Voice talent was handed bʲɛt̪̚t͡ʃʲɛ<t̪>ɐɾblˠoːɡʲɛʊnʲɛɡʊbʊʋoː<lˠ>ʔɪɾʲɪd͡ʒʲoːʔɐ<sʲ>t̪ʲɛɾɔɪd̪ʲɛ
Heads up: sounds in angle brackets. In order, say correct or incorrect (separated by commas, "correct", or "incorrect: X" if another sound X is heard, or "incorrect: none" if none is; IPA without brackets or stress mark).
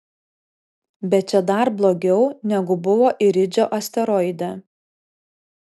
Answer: incorrect: d̪, incorrect: none, correct